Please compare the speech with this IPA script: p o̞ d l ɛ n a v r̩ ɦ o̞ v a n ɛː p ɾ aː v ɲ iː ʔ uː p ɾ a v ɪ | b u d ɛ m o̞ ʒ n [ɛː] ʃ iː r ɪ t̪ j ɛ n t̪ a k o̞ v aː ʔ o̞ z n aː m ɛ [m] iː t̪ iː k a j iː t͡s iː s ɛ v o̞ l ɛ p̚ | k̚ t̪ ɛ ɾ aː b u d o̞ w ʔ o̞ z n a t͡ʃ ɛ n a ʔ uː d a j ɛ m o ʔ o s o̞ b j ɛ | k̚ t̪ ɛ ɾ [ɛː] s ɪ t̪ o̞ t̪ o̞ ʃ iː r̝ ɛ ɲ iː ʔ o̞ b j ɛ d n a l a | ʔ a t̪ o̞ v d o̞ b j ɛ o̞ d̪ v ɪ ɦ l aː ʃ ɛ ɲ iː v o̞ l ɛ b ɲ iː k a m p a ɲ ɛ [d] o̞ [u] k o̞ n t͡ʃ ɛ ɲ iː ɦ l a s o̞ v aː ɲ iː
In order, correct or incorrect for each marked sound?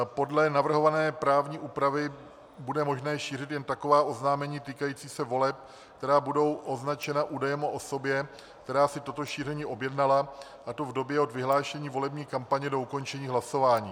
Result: correct, incorrect, incorrect, correct, correct

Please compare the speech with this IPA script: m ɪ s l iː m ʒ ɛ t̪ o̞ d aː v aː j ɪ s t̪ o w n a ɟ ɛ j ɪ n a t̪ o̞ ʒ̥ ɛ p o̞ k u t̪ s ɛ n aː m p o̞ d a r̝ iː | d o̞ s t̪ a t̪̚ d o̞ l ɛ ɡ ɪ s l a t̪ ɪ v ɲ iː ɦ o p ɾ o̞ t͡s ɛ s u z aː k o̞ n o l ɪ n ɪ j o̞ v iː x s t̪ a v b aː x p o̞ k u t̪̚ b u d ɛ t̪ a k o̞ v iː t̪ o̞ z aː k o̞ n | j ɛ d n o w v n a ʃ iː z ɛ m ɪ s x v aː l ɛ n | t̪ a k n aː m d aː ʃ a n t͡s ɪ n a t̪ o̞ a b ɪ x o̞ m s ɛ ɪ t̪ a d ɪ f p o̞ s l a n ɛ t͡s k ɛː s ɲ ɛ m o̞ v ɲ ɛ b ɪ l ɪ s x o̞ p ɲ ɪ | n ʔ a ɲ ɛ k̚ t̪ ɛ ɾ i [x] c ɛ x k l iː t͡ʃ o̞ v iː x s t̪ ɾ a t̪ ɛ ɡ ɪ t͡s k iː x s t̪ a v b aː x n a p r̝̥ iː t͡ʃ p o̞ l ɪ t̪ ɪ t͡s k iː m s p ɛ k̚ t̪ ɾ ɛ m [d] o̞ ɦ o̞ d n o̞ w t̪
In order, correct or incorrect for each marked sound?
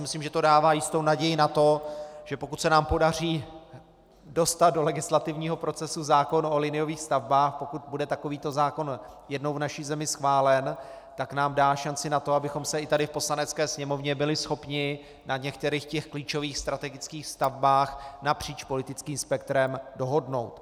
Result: correct, correct

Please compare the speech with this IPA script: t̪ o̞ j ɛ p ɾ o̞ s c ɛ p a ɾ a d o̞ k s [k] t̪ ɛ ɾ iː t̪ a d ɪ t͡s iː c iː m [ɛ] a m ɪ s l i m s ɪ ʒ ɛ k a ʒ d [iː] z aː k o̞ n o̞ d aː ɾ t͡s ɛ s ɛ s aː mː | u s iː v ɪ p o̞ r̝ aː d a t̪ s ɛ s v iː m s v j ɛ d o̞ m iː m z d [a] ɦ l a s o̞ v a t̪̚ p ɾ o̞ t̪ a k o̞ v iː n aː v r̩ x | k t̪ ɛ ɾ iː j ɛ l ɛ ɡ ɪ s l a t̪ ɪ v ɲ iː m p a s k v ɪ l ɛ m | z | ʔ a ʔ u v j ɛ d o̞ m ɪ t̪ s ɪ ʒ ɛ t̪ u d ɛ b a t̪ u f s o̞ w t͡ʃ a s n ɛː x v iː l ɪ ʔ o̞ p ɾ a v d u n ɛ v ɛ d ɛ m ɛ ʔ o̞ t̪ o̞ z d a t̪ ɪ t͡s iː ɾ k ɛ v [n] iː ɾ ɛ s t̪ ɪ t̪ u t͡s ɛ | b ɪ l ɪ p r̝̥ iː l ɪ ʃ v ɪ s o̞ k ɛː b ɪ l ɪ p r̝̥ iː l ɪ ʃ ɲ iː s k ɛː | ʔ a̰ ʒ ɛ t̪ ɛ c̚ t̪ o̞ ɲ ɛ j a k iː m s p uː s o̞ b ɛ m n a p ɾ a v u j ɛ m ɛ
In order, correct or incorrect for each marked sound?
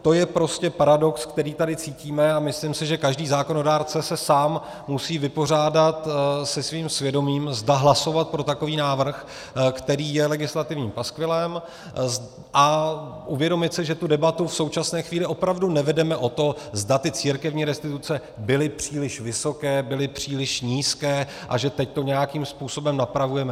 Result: correct, correct, correct, correct, incorrect

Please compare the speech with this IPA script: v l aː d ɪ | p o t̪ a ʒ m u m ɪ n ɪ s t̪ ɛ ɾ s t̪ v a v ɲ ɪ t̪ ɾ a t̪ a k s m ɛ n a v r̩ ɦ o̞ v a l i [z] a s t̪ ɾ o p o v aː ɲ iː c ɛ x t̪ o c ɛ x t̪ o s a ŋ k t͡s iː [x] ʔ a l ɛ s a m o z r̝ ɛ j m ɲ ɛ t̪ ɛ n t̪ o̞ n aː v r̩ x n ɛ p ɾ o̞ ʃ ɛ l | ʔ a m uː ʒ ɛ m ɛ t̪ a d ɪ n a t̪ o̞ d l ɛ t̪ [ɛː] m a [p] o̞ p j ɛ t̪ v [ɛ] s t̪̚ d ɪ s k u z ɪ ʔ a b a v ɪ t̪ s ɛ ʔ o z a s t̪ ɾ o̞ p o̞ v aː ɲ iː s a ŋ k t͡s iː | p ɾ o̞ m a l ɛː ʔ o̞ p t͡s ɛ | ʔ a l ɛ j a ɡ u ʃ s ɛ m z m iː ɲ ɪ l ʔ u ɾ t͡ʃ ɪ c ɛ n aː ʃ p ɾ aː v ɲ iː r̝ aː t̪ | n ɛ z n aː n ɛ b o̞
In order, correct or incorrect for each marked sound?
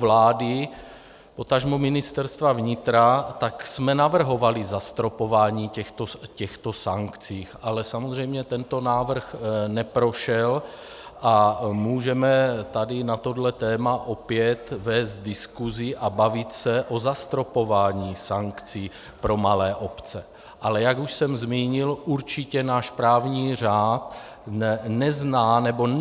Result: correct, correct, correct, incorrect, incorrect

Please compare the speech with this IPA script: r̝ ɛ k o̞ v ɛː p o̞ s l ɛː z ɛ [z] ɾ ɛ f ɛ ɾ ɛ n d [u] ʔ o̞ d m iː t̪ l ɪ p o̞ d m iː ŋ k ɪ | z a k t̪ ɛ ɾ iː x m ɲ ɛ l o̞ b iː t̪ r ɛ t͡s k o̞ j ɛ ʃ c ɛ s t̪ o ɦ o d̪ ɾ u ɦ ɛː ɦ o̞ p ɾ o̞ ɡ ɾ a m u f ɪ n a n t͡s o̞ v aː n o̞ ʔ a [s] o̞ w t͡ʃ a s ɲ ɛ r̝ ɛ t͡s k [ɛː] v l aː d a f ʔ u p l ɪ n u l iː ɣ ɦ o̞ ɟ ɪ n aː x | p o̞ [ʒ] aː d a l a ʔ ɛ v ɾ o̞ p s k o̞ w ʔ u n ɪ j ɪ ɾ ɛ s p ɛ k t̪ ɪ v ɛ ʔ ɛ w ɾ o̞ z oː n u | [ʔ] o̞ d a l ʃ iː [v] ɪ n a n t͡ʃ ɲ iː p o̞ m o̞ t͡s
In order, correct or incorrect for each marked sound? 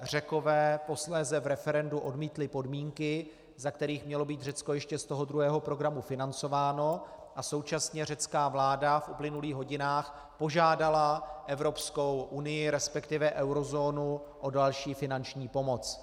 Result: incorrect, correct, correct, incorrect, correct, correct, incorrect

